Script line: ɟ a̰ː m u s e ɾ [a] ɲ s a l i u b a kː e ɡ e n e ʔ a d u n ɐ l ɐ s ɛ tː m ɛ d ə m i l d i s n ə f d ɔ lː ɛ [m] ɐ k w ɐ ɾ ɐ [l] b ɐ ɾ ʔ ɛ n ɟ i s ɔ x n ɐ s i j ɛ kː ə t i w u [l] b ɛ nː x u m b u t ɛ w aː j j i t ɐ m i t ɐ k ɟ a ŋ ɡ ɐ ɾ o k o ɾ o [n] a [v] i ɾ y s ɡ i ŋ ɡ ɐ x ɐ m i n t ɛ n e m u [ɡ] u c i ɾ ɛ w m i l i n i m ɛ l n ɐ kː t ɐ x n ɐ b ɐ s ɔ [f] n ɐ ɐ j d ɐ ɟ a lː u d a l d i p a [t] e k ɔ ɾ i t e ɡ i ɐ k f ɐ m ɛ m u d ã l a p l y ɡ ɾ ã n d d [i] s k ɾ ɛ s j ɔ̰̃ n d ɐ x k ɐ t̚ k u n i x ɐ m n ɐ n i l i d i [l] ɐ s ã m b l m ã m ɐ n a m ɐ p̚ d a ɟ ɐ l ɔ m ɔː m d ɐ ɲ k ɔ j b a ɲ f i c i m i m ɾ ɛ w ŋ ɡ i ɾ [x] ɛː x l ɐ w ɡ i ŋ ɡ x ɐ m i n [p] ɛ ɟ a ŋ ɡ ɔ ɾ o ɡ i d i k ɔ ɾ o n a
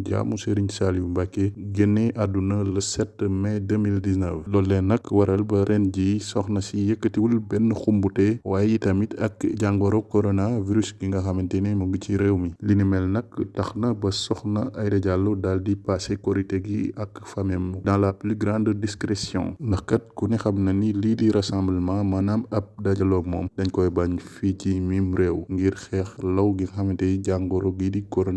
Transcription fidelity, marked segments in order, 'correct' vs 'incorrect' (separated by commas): incorrect, incorrect, correct, correct, correct, correct, correct, incorrect, incorrect, correct, incorrect, correct, incorrect